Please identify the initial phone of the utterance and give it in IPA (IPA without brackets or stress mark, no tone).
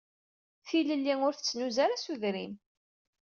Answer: θ